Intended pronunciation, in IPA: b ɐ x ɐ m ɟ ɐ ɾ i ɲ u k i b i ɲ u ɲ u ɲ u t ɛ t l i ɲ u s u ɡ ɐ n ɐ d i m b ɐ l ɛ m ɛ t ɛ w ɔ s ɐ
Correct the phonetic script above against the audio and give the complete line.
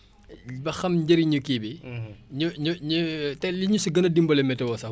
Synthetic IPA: b ɐ x ɐ m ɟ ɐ ɾ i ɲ u k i b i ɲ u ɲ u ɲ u t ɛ l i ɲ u s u ɡ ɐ n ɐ d i m b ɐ l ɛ m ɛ t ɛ w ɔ s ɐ